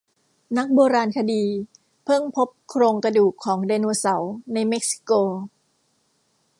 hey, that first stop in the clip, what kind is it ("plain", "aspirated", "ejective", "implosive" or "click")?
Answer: plain